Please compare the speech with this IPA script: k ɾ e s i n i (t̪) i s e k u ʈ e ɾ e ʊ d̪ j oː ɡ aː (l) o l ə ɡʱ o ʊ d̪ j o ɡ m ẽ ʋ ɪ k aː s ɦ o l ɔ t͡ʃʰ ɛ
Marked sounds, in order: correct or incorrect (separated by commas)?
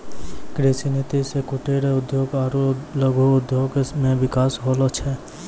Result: correct, incorrect